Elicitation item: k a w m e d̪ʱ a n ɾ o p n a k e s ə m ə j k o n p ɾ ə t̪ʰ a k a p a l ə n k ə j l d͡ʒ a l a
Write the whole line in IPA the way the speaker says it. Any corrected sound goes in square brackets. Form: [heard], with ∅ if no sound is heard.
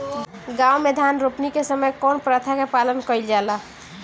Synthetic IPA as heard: [ɡ] a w m e d̪ʱ a n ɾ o p n [i] k e s ə m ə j k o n p ɾ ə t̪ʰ a k [e] p a l ə n k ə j l d͡ʒ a l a